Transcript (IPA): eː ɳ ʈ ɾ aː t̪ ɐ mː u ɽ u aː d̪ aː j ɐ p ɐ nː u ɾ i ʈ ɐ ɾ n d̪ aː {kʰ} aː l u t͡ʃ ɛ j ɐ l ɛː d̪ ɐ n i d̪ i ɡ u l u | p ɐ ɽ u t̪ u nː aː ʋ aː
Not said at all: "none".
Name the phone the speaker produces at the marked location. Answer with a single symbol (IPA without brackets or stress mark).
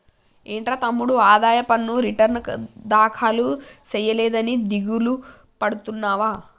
kʰ